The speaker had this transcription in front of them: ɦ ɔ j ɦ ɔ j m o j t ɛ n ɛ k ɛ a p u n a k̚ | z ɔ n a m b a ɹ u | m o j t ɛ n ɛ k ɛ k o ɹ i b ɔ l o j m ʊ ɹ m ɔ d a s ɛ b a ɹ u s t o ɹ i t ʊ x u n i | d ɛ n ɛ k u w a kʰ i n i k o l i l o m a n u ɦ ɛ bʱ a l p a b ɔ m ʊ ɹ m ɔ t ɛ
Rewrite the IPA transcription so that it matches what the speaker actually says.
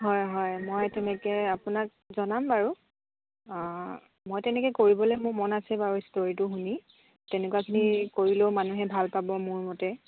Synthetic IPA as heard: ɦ ɔ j ɦ ɔ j m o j t ɛ n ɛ k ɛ a p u n a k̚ | z ɔ n a m b a ɹ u | m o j t ɛ n ɛ k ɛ k o ɹ i b ɔ l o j m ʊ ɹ m ɔ n a s ɛ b a ɹ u s t o ɹ i t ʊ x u n i | t ɛ n ɛ k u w a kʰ i n i k o ɹ i l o m a n u ɦ ɛ bʱ a l p a b ɔ m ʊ ɹ m ɔ t ɛ